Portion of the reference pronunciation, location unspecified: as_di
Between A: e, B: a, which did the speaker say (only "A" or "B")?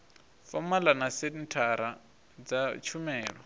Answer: A